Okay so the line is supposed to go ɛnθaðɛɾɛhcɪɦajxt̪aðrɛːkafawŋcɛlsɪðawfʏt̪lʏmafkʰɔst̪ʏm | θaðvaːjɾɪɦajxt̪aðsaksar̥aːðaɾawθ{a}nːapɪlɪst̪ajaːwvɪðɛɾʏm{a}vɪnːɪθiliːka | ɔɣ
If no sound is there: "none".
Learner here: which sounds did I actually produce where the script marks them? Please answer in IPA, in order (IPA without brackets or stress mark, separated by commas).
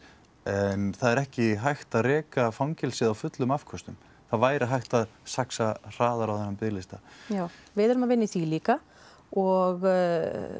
ɛ, a